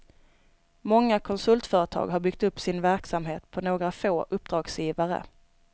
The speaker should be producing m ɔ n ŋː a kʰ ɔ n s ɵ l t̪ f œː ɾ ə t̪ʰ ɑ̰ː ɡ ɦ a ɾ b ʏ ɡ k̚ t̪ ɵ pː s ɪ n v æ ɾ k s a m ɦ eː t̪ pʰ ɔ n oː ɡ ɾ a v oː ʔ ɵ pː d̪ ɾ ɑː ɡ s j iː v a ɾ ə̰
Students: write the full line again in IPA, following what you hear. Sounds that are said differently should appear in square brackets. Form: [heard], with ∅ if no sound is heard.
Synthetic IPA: m ɔ [∅] ŋː a kʰ ɔ n s ɵ l t̪ f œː ɾ ə t̪ʰ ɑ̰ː ɡ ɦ a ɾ b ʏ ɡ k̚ t̪ ɵ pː s ɪ n v æ ɾ k s a m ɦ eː t̪ pʰ ɔ n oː ɡ ɾ a [f] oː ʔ ɵ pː d̪ ɾ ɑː ɡ s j iː v a ɾ ə̰